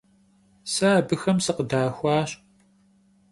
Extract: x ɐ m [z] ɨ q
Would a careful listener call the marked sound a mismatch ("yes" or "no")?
yes